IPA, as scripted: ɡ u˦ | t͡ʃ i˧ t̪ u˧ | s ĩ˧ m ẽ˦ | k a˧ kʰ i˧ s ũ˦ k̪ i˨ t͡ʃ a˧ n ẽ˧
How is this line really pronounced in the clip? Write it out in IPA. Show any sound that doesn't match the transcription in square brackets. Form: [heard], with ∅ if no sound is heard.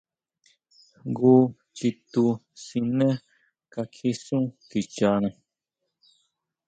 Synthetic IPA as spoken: ɡ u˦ | t͡ʃ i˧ t̪ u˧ | s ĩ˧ [n] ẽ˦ | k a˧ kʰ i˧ s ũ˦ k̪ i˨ t͡ʃ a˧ n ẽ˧